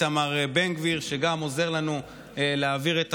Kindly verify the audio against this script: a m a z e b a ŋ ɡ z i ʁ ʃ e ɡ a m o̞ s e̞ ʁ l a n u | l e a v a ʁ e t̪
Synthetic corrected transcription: a m a ʁ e b e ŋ ɡ v i ʁ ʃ e ɡ a m o̞ z e̞ ʁ l a n u | l e a v i ʁ e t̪